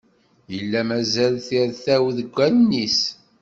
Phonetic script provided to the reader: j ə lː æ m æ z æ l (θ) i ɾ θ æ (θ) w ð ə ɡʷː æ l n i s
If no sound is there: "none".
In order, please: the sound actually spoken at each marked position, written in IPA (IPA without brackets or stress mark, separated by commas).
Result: θ, none